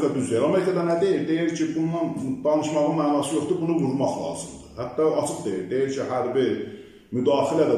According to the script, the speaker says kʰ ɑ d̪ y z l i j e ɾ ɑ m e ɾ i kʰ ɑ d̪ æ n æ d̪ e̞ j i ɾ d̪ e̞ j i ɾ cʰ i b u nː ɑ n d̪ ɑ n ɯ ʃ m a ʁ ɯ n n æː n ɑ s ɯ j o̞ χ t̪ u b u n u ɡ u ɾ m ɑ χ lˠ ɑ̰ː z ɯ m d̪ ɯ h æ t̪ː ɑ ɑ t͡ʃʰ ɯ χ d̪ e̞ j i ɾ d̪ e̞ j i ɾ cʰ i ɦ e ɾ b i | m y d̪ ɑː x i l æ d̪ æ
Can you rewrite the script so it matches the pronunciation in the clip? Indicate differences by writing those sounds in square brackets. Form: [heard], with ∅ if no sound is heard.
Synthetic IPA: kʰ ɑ d̪ y z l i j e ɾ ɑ m e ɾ i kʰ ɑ d̪ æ n æ d̪ e̞ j i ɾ d̪ e̞ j i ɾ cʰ i b u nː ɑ n d̪ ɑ n ɯ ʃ m [ɑ] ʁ ɯ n [m] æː n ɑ s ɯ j o̞ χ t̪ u b u n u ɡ u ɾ m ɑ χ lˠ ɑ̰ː z ɯ m d̪ ɯ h æ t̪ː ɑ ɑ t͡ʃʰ ɯ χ d̪ e̞ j i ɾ d̪ e̞ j i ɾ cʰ i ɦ [æ] ɾ b i | m y d̪ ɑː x i l æ d̪ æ

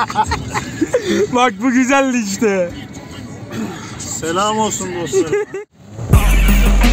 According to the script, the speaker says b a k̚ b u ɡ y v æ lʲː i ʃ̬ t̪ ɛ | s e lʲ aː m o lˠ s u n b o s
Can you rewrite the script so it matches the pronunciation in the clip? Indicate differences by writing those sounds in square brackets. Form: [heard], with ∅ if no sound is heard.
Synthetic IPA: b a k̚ b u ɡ y [z] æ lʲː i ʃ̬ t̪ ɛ | s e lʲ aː m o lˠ s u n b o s

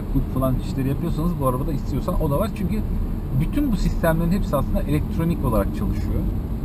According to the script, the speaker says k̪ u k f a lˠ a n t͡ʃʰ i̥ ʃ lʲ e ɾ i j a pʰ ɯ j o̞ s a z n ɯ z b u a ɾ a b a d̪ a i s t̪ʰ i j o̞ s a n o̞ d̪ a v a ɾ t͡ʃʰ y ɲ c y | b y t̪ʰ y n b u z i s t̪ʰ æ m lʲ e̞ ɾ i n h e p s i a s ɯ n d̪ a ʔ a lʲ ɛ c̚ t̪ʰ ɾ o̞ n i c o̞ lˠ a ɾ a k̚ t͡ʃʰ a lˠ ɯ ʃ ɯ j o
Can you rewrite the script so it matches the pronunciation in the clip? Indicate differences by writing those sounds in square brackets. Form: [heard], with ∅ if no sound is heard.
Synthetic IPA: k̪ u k f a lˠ a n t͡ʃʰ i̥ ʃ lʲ e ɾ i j a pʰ ɯ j o̞ s a [∅] n ɯ z b u a ɾ a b a d̪ a i s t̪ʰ i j o̞ s a n o̞ d̪ a v a ɾ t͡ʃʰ y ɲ c y | b y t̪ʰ y n b u [s] i s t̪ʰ æ m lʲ e̞ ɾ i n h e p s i a s ɯ n d̪ a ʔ [e] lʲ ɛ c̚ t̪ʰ ɾ o̞ n i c o̞ lˠ a ɾ a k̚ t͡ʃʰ a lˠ ɯ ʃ ɯ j o

